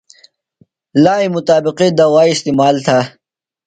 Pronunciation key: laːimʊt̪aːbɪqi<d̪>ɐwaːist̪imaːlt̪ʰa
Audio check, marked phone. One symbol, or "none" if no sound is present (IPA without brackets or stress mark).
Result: d̪